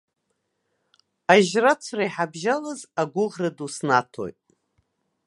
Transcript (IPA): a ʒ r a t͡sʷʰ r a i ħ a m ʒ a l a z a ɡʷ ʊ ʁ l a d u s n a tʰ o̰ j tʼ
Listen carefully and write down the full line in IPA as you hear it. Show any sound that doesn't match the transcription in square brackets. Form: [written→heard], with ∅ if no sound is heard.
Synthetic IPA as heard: a ʒ r a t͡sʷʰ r a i ħ a [m→b] ʒ a l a z a ɡʷ ʊ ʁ [l→r] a d u s n a tʰ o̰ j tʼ